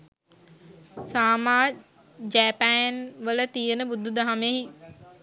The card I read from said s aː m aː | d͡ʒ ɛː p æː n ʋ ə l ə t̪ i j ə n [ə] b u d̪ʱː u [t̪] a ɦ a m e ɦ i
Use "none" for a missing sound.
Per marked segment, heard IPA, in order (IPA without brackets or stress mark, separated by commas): ə, d̪